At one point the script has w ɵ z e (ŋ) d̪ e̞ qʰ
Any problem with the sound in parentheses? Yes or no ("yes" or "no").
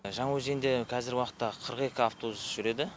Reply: yes